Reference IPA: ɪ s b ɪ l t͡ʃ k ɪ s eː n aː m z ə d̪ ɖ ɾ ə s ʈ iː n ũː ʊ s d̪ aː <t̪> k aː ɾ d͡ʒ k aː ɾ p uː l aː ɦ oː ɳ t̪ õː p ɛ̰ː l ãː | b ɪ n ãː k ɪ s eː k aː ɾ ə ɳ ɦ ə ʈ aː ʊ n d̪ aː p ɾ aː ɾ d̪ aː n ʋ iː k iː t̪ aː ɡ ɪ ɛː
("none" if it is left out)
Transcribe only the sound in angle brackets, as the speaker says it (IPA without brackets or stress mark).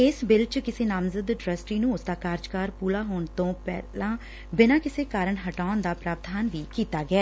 none